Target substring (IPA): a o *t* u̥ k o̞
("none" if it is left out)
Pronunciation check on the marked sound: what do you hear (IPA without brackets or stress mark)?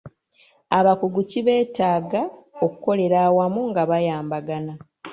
k